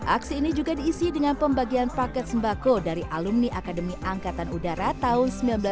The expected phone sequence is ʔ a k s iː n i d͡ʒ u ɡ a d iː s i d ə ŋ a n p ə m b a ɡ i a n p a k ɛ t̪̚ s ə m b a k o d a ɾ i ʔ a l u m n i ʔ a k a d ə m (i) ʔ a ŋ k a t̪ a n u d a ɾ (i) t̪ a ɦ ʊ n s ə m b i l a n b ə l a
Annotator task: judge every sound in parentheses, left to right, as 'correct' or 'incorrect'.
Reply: correct, incorrect: a

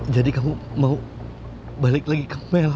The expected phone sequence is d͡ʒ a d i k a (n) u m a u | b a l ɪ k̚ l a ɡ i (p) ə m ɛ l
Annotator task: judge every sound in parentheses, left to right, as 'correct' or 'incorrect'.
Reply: incorrect: m, incorrect: k

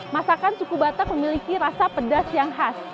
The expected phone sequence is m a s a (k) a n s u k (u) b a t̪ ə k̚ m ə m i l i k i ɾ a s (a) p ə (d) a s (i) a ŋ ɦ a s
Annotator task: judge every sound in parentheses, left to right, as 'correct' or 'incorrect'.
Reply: correct, correct, correct, correct, incorrect: j

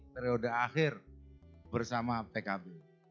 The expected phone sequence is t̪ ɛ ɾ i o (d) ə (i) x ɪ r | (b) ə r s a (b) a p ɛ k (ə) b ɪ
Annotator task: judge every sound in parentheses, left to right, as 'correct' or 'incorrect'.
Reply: correct, incorrect: a, correct, incorrect: m, incorrect: a

